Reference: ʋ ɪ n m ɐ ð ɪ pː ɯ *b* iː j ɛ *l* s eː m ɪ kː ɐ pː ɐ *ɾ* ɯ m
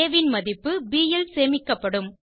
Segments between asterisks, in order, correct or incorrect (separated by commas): correct, correct, incorrect